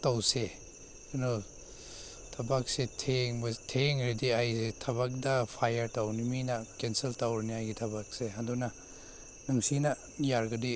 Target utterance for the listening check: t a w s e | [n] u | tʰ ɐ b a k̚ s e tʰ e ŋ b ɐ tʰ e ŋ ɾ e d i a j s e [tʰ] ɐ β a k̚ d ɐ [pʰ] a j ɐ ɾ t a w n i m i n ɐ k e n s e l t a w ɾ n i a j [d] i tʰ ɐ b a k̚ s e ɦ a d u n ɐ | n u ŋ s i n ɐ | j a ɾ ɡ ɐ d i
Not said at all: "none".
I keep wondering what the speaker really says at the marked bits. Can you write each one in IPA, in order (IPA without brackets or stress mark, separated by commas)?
n, tʰ, pʰ, ɡ